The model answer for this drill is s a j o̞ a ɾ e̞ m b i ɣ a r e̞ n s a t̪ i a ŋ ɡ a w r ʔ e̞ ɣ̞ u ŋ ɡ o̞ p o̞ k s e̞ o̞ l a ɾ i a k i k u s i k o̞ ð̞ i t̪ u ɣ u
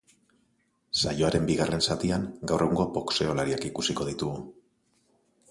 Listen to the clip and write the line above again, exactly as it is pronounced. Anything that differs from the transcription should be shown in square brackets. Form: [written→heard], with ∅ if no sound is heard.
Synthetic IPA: s a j o̞ a ɾ e̞ m b i ɣ a r e̞ n s a t̪ i a ŋ ɡ a w r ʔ e̞ ɣ̞ u ŋ ɡ o̞ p o̞ k s e̞ o̞ l a ɾ i a k i k u s i k o̞ ð̞ i t̪ u ɣ u